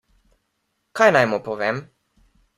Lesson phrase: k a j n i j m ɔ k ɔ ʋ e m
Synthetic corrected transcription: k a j n a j m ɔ p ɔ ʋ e m